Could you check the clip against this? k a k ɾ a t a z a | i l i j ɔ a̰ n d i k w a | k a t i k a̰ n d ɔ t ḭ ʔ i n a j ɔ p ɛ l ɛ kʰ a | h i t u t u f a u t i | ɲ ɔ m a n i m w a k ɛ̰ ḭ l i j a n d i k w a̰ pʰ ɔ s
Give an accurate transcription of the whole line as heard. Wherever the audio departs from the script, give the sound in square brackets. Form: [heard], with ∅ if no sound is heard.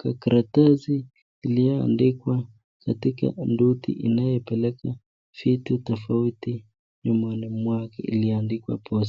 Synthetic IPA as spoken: k a k ɾ a t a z [i] | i l i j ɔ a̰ n d i k w a | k a t i k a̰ n d [u] t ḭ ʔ i n a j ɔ p ɛ l ɛ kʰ a | [f] i t u t [ɔ] f a u t i | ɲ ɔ m a n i m w a k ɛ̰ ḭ l i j a n d i k w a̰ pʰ ɔ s